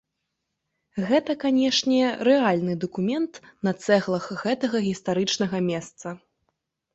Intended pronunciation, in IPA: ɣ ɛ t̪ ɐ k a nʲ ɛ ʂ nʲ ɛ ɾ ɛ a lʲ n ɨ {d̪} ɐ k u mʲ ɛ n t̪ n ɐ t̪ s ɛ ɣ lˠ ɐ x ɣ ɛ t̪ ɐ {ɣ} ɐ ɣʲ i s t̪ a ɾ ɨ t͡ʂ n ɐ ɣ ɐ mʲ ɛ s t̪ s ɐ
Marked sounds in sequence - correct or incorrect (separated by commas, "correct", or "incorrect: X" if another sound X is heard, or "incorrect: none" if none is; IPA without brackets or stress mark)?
correct, correct